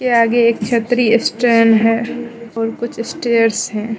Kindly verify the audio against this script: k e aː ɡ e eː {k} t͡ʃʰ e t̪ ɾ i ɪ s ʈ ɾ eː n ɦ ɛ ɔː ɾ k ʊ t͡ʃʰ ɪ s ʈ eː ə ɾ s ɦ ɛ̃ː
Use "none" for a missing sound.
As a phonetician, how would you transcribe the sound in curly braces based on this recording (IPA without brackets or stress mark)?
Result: k